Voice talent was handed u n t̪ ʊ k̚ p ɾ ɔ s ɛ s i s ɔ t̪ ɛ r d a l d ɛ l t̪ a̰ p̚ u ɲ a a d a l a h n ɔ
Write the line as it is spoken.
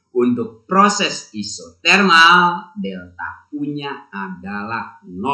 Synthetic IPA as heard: u n t̪ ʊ k̚ p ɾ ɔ s ɛ s i s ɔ t̪ ɛ r n a l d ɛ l t̪ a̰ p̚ u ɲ a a d a l a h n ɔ